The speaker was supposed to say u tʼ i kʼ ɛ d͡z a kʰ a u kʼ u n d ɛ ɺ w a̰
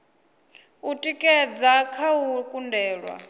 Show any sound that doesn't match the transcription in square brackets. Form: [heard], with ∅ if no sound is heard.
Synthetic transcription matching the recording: u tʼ i kʼ ɛ d͡z a kʰ a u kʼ u n d [ɛː] ɺ w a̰

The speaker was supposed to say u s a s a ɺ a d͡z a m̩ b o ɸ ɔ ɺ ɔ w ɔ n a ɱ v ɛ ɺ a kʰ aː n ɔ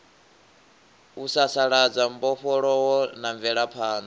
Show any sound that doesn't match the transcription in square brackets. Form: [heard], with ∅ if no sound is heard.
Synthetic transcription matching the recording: u s a s a ɺ a d͡z a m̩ b [ɔ] ɸ ɔ ɺ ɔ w ɔ n a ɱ v ɛ ɺ a [pʰ] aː n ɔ

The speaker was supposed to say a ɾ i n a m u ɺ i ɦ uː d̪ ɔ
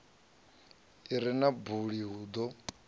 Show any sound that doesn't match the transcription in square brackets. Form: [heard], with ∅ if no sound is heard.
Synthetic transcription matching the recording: [i] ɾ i n a [b] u ɺ i ɦ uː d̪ ɔ

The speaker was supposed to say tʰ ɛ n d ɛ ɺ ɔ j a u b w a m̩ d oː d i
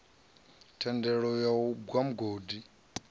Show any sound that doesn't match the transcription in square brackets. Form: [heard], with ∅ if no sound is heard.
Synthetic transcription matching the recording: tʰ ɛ n d ɛ ɺ ɔ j a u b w a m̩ [ɡ] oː d i

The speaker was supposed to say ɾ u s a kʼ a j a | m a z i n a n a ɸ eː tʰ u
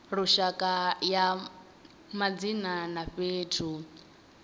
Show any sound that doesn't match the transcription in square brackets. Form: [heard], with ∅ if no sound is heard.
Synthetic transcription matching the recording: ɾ u [ʃ] a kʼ a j a | m a [d͡z] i n a n a ɸ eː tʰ u

